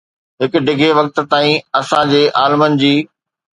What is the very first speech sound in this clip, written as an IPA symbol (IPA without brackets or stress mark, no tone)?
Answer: ɦ